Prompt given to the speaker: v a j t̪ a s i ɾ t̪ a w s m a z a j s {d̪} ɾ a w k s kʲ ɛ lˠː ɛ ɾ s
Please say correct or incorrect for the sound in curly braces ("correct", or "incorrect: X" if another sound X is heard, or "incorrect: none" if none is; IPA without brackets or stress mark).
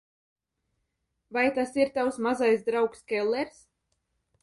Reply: correct